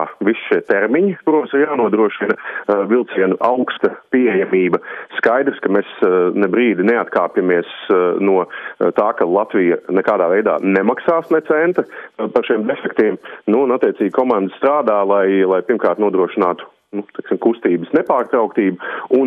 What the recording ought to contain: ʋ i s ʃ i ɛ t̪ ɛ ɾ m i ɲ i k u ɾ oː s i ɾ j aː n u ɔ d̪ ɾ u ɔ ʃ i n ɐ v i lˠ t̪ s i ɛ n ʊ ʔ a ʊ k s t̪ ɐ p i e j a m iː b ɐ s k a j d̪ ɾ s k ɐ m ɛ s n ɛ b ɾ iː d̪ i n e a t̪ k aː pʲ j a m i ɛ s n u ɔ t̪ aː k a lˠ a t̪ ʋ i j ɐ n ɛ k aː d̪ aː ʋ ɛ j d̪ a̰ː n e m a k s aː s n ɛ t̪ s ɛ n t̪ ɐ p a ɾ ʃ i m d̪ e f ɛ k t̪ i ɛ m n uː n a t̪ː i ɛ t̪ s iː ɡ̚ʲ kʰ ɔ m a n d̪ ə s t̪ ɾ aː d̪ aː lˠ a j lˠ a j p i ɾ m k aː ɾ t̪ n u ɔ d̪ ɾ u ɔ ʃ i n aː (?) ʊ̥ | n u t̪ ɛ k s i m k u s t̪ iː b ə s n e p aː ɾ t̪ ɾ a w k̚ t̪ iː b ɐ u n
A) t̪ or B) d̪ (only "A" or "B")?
A